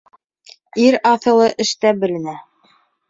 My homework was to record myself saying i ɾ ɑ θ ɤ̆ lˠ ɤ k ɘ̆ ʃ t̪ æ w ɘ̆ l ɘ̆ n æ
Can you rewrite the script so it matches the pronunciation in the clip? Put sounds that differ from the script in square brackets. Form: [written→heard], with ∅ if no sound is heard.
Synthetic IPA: i ɾ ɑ θ ɤ̆ lˠ ɤ [k→ʔ] ɘ̆ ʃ t̪ æ [w→b] ɘ̆ l ɘ̆ n æ

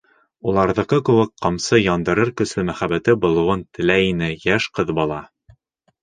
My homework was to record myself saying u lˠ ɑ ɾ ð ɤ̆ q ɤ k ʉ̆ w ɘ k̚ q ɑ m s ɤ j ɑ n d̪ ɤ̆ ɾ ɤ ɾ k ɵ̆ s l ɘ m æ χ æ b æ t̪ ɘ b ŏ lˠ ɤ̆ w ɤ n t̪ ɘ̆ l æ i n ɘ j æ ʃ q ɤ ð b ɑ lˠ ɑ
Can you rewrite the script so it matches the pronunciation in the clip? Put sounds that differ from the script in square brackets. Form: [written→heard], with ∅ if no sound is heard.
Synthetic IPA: u lˠ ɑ ɾ ð ɤ̆ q ɤ k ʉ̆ w ɘ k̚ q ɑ m s ɤ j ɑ n d̪ ɤ̆ ɾ ɤ ɾ k ɵ̆ s l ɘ m æ χ æ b æ t̪ ɘ b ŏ lˠ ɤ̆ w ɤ n t̪ ɘ̆ l æ i n ɘ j æ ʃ q ɤ ð b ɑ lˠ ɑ

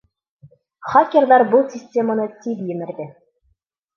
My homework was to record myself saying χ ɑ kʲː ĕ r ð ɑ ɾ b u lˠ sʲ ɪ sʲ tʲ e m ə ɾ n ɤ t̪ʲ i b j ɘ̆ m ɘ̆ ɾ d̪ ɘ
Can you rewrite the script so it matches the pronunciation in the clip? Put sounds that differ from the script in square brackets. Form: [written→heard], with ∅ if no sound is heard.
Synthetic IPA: χ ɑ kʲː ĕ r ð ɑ ɾ b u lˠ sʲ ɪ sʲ tʲ e m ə [ɾ→∅] n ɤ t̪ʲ i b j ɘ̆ m ɘ̆ ɾ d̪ ɘ

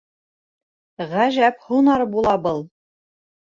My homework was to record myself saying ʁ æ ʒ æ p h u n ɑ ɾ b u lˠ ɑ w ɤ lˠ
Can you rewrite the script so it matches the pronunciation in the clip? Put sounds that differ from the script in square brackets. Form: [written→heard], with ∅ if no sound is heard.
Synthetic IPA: ʁ æ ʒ æ p h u n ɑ ɾ b u lˠ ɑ [w→b] ɤ lˠ

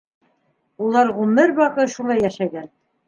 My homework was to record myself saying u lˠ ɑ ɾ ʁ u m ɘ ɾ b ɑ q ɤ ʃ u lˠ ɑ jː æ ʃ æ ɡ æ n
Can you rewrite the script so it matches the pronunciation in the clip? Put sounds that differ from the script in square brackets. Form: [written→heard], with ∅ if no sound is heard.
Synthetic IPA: u lˠ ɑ ɾ ʁ u m ɘ ɾ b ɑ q ɤ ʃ u lˠ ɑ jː æ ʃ æ ɡ æ n

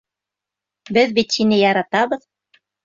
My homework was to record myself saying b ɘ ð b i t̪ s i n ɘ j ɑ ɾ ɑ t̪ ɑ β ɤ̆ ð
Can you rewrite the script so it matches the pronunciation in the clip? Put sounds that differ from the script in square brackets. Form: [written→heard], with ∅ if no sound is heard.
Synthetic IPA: b ɘ ð b i t̪ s i n ɘ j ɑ ɾ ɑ t̪ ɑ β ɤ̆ ð

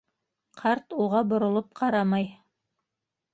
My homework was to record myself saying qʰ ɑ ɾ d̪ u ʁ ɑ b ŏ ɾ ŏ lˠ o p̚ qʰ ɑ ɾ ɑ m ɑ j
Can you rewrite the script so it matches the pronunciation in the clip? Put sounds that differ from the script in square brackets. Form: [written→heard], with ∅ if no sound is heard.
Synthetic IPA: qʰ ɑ ɾ [d̪→t̪] u ʁ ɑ b ŏ ɾ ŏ lˠ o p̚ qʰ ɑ ɾ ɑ m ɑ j

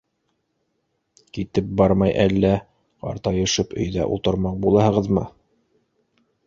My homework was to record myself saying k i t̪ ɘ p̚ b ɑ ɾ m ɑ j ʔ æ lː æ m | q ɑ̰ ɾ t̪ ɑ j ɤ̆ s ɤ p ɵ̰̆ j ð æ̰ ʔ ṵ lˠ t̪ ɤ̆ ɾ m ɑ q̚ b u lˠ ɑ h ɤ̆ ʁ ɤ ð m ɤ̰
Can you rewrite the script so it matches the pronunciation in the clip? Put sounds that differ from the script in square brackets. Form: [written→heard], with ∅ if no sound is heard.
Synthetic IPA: k i t̪ ɘ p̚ b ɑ ɾ m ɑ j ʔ æ lː æ [m→∅] | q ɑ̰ ɾ t̪ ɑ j ɤ̆ [s→ʃ] ɤ p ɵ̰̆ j ð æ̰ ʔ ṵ lˠ t̪ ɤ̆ ɾ m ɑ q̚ b u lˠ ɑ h ɤ̆ ʁ ɤ ð m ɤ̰

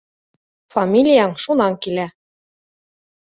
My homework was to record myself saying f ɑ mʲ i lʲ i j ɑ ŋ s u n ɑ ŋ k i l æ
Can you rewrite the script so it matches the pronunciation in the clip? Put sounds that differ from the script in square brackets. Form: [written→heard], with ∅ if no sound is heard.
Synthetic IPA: f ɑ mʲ i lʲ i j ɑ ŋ [s→ʃ] u n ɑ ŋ k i l æ

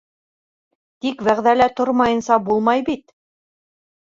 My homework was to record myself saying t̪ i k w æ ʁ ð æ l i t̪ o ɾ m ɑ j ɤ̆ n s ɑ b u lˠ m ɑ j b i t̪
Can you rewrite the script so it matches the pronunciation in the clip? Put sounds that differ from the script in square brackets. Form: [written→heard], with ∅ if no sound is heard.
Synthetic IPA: t̪ i k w æ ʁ ð æ l [i→æ] t̪ o ɾ m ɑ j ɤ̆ n s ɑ b u lˠ m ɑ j b i t̪

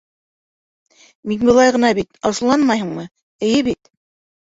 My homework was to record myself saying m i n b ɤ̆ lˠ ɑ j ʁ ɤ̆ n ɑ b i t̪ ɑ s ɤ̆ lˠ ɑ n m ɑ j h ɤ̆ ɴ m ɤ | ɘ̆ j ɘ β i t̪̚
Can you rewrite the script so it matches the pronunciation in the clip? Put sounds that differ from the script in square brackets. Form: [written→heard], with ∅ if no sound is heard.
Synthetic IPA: m i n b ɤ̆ lˠ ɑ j ʁ ɤ̆ n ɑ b i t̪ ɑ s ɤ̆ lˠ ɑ n m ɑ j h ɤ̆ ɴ m ɤ | ɘ̆ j ɘ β i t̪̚

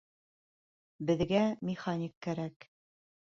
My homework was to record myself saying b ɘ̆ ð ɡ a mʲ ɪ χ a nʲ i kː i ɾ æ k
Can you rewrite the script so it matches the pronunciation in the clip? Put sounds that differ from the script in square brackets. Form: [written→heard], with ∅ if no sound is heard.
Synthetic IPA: b ɘ̆ ð ɡ [a→æ] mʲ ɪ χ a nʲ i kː [i→æ] ɾ æ k

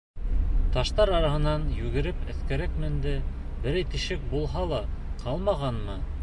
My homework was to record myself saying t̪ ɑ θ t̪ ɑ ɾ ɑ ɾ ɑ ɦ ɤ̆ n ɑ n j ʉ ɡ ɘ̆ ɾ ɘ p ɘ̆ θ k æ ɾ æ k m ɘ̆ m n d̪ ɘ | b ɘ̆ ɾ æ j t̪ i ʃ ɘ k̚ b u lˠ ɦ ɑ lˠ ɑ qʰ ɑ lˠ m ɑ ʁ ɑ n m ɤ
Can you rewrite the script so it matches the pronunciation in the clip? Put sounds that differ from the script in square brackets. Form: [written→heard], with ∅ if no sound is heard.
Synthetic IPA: t̪ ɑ [θ→ʃ] t̪ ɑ ɾ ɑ ɾ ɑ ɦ ɤ̆ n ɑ n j ʉ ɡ ɘ̆ ɾ ɘ p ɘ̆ θ k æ ɾ æ k m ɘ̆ [m→∅] n d̪ ɘ | b ɘ̆ ɾ æ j t̪ i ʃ ɘ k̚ b u lˠ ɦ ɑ lˠ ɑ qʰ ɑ lˠ m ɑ ʁ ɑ n m ɤ

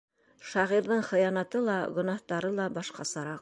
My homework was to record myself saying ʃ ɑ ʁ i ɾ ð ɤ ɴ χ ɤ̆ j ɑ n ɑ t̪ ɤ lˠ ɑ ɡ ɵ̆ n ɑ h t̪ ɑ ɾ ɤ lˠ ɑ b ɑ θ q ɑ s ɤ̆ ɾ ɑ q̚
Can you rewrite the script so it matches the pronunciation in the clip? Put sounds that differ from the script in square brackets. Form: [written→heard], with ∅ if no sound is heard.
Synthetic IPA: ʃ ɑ ʁ i ɾ ð ɤ ɴ χ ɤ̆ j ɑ n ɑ t̪ ɤ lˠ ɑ ɡ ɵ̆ n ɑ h t̪ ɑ ɾ ɤ lˠ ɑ b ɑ [θ→ʃ] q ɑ s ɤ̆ ɾ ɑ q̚

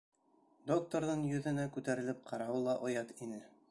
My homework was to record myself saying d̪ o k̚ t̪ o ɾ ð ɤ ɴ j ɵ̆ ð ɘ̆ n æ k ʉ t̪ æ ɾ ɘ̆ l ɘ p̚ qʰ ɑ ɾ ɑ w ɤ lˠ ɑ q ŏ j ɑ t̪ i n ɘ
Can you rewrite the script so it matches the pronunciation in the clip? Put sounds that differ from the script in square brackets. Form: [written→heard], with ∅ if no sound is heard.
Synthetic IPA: d̪ o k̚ t̪ o ɾ ð ɤ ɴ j ɵ̆ ð ɘ̆ n æ k ʉ t̪ æ ɾ ɘ̆ l ɘ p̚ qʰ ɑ ɾ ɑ w ɤ lˠ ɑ [q→ʔ] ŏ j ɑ t̪ i n ɘ

